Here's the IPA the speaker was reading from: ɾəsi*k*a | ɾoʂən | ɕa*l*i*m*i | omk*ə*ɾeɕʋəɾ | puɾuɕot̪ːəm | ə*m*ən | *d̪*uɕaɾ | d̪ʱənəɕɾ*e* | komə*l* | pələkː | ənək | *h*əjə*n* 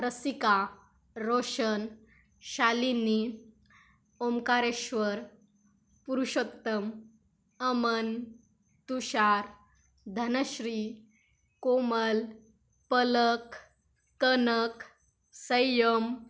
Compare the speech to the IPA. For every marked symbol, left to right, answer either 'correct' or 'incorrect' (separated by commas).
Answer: correct, correct, incorrect, incorrect, correct, incorrect, incorrect, correct, incorrect, incorrect